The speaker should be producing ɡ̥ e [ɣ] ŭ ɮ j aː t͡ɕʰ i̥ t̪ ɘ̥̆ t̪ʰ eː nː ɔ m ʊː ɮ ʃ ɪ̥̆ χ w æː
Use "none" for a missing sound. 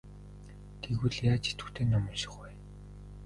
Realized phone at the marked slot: ɣ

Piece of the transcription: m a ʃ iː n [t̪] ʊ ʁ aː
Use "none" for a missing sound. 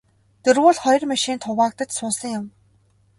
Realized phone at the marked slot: t̪ʰ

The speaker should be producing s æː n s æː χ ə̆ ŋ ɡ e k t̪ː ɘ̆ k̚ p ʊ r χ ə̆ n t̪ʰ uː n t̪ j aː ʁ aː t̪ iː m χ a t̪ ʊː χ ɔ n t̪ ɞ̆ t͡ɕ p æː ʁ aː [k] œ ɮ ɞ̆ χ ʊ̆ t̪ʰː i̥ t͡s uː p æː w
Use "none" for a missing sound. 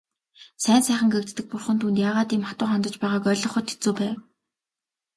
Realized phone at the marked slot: k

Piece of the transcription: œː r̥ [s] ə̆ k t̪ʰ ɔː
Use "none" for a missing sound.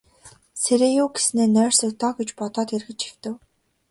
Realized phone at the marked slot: s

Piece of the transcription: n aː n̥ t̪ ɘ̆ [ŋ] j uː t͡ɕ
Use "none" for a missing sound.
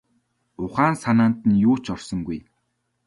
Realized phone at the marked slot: n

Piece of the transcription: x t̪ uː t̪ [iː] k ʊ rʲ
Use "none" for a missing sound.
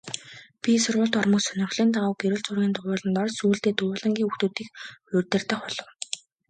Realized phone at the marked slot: iː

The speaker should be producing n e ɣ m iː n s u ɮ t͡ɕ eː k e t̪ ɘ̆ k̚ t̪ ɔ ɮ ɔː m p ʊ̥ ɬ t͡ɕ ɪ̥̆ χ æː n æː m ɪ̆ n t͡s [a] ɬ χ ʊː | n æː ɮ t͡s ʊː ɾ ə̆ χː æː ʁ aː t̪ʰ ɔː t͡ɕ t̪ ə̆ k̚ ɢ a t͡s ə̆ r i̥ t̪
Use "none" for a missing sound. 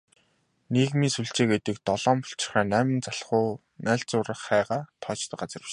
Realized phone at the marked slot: a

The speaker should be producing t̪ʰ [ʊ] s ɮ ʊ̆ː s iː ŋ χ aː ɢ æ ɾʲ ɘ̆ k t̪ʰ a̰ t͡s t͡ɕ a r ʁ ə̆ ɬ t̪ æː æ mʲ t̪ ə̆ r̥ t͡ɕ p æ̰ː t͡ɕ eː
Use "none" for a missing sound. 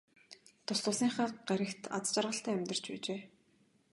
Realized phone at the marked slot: ʊ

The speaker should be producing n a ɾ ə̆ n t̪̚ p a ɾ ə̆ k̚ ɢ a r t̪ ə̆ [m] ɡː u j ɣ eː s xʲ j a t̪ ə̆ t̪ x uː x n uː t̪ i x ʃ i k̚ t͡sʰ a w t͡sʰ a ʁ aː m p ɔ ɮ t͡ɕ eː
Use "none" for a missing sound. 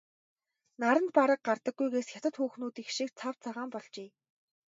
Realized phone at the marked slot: none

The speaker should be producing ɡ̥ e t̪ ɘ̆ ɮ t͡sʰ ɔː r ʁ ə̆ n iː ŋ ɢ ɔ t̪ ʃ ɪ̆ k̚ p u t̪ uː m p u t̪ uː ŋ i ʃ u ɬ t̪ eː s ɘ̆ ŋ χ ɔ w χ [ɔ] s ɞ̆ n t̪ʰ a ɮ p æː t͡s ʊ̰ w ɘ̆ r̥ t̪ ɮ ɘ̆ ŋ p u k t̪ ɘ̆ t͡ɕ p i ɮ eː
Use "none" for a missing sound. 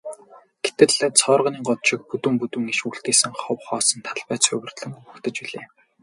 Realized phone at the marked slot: ɔː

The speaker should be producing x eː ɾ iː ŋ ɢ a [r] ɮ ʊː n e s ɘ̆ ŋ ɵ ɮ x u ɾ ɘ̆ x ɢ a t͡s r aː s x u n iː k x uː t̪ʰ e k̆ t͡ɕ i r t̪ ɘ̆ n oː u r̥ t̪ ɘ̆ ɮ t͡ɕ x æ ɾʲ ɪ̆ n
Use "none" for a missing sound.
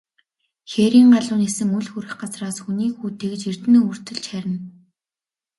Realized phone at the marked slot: none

